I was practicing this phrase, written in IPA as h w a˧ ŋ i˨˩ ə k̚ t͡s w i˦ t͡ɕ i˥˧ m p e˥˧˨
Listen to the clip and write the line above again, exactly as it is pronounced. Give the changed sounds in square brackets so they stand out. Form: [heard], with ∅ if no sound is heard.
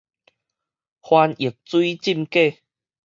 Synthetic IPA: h w a˧ [n] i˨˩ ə k̚ t͡s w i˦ t͡ɕ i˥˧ m [k] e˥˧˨